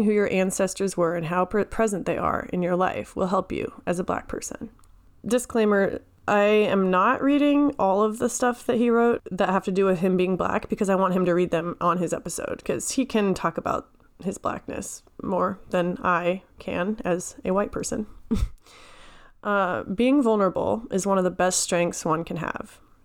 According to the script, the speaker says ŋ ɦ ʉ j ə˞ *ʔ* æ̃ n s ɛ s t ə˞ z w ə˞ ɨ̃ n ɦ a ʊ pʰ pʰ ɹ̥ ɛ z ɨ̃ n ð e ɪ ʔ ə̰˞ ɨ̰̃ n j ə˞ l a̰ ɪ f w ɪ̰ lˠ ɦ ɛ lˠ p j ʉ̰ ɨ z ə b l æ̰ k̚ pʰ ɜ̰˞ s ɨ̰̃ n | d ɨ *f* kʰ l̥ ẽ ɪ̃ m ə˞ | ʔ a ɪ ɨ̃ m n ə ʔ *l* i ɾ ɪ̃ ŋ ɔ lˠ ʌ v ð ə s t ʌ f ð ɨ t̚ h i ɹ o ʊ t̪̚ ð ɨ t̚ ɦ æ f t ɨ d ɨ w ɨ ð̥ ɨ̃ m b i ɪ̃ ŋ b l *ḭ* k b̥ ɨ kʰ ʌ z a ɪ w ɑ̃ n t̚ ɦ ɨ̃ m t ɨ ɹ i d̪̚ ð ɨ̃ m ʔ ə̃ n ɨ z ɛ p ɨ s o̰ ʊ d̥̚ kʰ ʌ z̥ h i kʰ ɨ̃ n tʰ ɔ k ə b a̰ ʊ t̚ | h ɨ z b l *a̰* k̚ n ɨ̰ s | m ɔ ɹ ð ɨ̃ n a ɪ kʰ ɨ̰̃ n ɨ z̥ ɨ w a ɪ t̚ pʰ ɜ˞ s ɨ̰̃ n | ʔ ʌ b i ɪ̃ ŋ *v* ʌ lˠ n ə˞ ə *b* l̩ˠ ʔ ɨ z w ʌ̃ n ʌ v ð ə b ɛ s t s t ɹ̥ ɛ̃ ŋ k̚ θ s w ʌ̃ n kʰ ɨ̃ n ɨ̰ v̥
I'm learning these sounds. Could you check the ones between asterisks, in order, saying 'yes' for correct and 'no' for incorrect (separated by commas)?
yes, no, no, no, no, yes, yes